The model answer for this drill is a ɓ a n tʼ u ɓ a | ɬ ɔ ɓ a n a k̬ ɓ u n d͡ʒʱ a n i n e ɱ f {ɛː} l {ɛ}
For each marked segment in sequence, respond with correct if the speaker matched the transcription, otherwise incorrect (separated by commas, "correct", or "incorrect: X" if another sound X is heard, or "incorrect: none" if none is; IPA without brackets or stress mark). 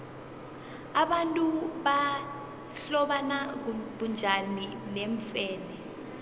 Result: correct, correct